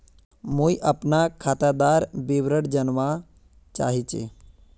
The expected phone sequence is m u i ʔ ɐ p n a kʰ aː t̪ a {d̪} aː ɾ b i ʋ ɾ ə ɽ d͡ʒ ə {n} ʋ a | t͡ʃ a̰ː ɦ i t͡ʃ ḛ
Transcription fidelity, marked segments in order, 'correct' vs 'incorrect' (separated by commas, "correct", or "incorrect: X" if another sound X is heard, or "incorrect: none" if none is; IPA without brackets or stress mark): correct, correct